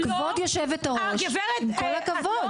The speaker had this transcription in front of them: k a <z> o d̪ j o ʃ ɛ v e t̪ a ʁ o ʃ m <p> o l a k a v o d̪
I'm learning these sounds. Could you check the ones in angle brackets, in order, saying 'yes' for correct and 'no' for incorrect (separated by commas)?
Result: no, no